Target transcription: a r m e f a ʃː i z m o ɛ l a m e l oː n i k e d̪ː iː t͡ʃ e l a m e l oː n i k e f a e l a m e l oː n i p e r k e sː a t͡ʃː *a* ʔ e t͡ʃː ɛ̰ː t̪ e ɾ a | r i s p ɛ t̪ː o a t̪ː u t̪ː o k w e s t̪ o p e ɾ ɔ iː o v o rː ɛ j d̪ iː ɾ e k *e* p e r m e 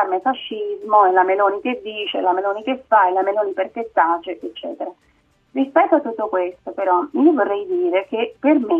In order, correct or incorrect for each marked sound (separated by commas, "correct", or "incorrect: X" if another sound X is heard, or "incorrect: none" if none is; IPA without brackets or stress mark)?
incorrect: e, correct